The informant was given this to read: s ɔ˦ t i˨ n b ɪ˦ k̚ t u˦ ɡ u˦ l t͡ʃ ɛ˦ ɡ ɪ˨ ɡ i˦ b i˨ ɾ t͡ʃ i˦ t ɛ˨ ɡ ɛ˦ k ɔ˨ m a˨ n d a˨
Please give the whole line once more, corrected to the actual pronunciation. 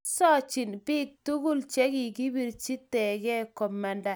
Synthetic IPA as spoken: s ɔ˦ t͡ʃ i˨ n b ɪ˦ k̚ t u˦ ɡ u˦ l t͡ʃ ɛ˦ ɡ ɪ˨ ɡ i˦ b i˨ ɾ t͡ʃ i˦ t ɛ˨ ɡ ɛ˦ k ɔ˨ m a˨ n d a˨